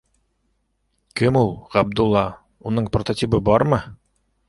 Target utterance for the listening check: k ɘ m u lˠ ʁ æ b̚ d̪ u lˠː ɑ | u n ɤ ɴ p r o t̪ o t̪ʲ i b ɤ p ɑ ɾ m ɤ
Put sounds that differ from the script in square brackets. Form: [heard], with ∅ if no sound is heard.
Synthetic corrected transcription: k ɘ m u lˠ ʁ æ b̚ d̪ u lˠː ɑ | u n ɤ ɴ p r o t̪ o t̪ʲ i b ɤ [b] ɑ ɾ m ɤ

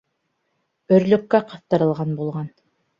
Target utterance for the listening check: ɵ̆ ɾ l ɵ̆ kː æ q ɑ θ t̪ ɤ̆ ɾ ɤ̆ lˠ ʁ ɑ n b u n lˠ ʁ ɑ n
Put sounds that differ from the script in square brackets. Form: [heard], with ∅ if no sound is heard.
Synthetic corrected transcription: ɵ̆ ɾ l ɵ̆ kː æ q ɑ θ t̪ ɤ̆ ɾ ɤ̆ lˠ ʁ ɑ n b u [∅] lˠ ʁ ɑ n

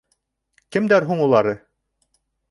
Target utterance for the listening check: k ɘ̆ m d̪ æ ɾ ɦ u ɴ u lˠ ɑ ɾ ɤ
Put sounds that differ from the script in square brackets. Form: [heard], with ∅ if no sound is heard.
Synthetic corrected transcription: k ɘ̆ m d̪ æ ɾ ɦ u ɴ u lˠ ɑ ɾ ɤ

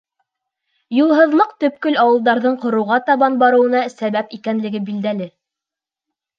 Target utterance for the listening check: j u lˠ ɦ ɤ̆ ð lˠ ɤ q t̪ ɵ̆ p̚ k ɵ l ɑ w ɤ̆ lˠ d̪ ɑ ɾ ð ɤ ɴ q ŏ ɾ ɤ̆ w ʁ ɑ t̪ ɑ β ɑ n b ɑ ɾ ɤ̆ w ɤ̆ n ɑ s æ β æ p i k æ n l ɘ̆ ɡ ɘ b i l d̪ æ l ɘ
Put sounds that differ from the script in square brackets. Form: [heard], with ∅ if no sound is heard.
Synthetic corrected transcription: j u lˠ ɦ ɤ̆ ð lˠ ɤ q t̪ ɵ̆ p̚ k ɵ l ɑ w ɤ̆ lˠ d̪ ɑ ɾ ð ɤ ɴ q ŏ ɾ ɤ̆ w ʁ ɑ t̪ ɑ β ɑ n b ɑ ɾ ɤ̆ w ɤ̆ n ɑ s æ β æ p i k æ n l ɘ̆ ɡ ɘ b i l d̪ æ l ɘ

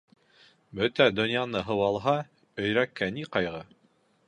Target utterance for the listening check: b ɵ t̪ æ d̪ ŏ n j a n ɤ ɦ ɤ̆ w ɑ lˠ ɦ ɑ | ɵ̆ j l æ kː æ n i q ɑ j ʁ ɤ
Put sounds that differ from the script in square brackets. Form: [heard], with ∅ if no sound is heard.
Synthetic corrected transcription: b ɵ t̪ æ d̪ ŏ n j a n ɤ ɦ ɤ̆ w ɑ lˠ ɦ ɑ | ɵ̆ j [ɾ] æ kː æ n i q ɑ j ʁ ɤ

